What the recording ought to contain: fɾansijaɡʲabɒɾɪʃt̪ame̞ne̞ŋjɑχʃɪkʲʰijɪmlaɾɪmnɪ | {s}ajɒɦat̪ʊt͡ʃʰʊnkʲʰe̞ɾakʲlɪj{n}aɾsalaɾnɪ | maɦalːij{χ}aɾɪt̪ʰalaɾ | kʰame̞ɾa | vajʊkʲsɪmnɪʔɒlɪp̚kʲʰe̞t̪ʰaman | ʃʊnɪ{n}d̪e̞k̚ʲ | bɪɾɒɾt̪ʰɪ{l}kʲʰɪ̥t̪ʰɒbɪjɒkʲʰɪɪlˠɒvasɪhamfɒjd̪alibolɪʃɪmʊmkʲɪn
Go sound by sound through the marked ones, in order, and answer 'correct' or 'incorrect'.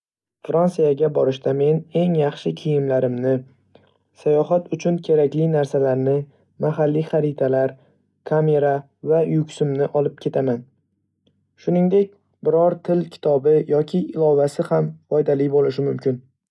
correct, correct, correct, incorrect: ŋ, correct

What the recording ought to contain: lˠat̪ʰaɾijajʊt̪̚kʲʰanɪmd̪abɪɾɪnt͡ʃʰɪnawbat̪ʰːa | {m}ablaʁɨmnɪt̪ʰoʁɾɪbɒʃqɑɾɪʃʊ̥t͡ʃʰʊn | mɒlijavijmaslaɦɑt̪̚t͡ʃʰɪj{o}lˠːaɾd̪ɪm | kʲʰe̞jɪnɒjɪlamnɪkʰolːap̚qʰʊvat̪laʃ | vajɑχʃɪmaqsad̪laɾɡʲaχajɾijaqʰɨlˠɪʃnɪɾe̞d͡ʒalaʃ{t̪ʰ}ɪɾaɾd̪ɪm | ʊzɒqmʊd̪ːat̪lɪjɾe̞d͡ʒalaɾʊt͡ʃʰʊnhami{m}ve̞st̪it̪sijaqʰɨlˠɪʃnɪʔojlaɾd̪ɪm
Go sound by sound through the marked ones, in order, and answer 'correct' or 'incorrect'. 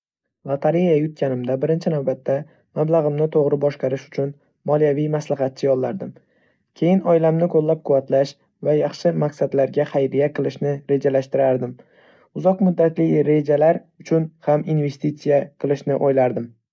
correct, incorrect: ɒ, incorrect: t̪, incorrect: n

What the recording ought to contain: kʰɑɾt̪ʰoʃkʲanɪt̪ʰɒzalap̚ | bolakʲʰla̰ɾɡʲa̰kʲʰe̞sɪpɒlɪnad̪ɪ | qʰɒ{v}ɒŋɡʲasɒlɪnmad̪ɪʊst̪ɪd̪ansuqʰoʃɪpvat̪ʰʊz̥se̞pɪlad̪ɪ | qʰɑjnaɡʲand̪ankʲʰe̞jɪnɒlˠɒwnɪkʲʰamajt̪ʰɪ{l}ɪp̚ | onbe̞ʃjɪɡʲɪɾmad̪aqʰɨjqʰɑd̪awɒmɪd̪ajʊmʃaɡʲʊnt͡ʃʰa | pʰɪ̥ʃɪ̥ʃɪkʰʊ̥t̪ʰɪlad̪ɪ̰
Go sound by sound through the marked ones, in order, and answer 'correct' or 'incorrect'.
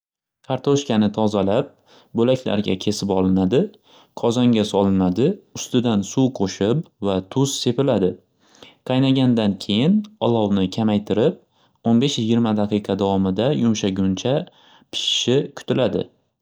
incorrect: z, incorrect: ɾ

